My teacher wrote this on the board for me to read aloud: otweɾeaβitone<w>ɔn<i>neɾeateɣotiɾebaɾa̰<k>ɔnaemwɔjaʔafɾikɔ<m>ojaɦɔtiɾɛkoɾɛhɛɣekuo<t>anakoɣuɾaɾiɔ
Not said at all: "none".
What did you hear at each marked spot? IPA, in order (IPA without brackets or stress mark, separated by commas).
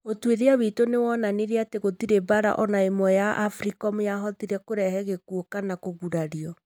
w, a, ʔ, m, k